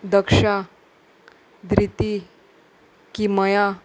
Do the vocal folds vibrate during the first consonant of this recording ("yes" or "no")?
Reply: yes